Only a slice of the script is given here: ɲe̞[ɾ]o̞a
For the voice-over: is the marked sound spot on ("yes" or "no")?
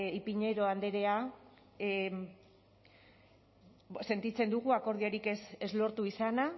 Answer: yes